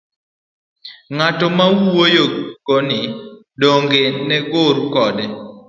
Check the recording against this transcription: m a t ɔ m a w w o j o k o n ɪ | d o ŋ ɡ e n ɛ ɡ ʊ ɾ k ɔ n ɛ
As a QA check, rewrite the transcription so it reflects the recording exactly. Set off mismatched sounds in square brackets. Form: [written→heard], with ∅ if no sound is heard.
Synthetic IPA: [m→ŋ] a t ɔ m a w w o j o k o n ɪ | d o ŋ ɡ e n ɛ ɡ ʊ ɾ k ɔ [n→d] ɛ